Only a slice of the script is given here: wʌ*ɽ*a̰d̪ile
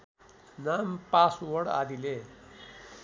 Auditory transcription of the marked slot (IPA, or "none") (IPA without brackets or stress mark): ɽ